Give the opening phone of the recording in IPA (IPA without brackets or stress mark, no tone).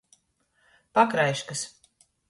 p